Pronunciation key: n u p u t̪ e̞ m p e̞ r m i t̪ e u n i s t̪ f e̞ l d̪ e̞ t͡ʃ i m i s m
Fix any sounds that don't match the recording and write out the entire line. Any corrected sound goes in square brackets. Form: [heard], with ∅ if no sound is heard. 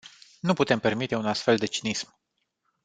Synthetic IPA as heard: n u p u t̪ e̞ m p e̞ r m i t̪ e u n [a] s t̪ f e̞ l d̪ e̞ t͡ʃ i [n] i s m